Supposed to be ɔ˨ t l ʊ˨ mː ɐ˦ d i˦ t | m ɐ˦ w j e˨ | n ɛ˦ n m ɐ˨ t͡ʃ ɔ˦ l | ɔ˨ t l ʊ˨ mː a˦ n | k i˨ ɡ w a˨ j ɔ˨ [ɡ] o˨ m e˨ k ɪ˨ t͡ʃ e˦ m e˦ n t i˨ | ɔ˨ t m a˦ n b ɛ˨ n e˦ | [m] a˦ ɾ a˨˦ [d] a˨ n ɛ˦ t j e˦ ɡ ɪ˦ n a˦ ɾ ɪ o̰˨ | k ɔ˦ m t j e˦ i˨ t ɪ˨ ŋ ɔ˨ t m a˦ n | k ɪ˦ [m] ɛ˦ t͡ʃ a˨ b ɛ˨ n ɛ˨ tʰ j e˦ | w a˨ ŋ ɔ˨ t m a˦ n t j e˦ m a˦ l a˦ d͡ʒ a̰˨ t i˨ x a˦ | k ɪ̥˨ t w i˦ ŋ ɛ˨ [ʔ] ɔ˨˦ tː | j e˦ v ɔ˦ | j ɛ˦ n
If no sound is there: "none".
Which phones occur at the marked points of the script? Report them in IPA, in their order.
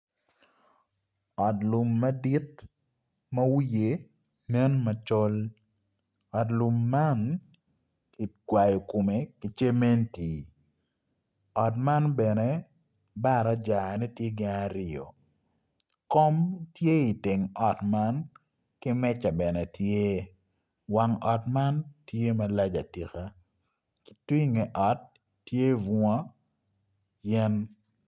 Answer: k, b, d͡ʒ, m, ʔ

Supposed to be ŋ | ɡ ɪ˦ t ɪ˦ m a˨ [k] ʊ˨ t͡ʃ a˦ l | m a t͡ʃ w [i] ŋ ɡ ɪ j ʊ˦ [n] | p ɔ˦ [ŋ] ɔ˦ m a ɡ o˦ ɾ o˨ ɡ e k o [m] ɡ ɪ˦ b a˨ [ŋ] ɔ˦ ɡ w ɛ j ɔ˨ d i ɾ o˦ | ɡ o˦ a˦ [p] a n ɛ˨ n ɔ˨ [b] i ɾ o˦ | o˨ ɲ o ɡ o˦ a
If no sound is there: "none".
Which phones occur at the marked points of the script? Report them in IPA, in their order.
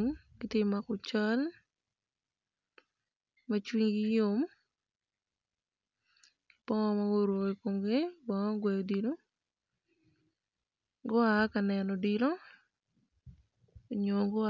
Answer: k, i, m, ŋ, m, ŋ, k, d

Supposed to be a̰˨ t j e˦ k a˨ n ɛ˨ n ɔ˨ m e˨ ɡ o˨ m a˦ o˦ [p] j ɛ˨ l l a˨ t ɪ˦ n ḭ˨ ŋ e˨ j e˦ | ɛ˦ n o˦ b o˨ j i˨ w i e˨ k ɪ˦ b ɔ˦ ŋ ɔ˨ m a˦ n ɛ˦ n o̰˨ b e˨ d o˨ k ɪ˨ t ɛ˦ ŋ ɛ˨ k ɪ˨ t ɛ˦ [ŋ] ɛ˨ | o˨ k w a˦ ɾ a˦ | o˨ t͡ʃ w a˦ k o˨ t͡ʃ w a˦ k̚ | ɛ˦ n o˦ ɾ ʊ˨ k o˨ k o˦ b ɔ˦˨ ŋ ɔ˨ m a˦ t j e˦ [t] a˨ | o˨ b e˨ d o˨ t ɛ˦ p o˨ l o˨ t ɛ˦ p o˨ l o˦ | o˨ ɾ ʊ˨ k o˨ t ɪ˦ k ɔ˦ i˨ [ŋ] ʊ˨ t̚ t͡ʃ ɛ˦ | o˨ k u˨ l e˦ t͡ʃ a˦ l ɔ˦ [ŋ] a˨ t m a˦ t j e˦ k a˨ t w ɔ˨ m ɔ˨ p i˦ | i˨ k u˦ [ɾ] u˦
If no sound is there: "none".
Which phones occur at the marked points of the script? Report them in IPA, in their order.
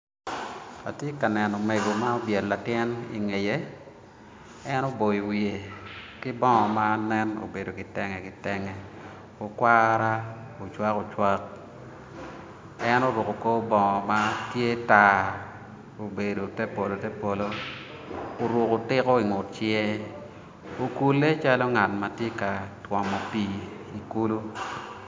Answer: b, ŋ, t, ŋ, ŋ, l

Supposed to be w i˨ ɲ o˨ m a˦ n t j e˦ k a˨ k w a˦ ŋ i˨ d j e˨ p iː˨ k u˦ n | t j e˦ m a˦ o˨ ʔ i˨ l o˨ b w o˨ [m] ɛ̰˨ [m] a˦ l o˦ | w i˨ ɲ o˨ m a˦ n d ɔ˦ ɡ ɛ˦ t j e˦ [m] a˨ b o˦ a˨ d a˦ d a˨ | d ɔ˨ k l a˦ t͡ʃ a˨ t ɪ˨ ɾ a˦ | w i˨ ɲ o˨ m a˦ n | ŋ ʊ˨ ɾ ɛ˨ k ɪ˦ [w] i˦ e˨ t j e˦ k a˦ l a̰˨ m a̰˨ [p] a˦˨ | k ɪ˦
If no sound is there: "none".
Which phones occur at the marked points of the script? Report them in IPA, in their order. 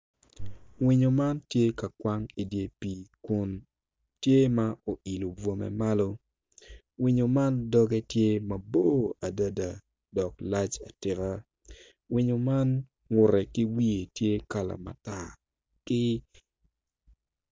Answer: m, m, m, w, t

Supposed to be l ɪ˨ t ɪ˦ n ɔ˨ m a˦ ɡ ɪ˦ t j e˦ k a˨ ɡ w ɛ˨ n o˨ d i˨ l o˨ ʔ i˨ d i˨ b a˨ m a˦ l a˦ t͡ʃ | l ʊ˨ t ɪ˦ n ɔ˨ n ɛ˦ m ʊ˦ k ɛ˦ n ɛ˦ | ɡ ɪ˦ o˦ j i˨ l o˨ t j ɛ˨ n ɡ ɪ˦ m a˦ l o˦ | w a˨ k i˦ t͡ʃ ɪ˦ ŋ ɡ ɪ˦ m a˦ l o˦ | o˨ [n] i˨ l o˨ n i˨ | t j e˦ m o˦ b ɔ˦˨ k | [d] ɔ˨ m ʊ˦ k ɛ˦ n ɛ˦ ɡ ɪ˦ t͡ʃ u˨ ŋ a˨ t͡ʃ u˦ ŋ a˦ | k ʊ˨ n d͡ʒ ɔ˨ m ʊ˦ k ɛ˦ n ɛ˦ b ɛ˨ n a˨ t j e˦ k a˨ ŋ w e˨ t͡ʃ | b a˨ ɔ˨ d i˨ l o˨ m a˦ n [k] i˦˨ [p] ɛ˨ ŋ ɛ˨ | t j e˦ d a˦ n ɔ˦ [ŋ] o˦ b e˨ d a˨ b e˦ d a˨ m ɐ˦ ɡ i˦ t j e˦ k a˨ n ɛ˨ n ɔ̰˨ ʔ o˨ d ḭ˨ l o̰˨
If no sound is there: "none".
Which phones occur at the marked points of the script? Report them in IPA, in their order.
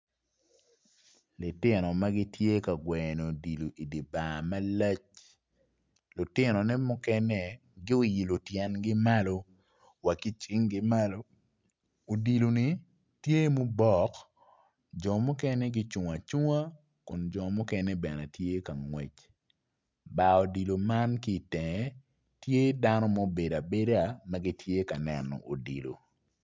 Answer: d, d͡ʒ, k, t, m

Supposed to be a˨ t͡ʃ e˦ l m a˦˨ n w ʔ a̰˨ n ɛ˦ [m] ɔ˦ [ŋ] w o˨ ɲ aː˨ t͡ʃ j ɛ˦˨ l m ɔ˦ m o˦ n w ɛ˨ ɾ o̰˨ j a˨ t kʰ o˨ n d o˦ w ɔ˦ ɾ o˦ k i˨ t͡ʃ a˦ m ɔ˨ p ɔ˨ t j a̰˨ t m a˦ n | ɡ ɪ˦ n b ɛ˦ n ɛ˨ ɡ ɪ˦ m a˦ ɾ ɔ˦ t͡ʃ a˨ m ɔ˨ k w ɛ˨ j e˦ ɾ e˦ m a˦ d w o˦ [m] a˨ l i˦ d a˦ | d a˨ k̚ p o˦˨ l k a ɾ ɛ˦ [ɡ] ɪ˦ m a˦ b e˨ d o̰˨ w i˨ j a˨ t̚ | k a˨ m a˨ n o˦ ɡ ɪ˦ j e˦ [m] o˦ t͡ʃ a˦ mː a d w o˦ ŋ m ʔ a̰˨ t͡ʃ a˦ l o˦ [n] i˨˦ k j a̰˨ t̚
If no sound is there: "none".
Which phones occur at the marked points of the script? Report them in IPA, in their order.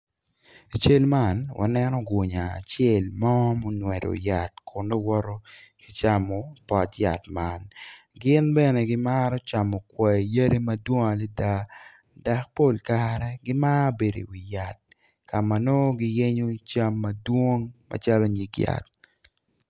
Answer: n, ɡ, ŋ, ɡ, ɲ, ɲ

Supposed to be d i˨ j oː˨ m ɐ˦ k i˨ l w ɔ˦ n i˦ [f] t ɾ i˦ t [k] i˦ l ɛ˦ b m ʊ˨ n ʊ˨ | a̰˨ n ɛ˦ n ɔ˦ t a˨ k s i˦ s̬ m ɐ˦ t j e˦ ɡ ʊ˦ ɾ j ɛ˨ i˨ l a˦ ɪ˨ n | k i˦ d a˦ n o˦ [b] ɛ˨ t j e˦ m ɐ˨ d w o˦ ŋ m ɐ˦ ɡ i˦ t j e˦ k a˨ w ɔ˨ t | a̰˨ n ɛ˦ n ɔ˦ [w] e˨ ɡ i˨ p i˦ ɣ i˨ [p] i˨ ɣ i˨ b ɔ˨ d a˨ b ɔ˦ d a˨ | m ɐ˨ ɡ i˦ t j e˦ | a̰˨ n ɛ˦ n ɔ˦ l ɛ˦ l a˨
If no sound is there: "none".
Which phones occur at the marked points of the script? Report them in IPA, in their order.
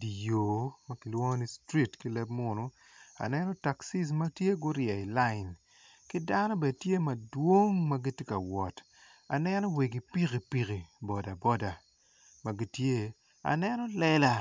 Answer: s, k, b, w, p

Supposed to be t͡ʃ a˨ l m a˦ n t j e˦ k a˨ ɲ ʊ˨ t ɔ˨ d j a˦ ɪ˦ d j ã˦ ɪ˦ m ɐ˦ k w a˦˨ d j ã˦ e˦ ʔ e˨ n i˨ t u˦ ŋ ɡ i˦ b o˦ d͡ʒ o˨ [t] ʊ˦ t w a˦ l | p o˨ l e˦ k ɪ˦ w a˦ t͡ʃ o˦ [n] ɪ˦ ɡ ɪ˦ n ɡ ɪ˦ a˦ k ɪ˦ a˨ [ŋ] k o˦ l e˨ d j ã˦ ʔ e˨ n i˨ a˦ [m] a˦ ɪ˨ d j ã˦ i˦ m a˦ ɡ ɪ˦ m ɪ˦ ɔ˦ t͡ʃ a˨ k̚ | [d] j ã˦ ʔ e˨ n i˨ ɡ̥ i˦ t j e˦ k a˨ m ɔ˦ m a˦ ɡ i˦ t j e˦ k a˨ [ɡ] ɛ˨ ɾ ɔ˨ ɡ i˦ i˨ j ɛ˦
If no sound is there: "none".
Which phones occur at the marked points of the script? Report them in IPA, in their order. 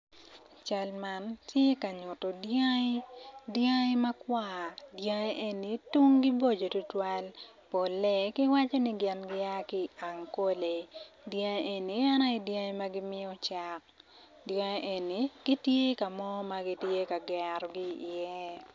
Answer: t, n, ŋ, n, d, ɡ

